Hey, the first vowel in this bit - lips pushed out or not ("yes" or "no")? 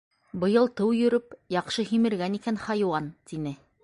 no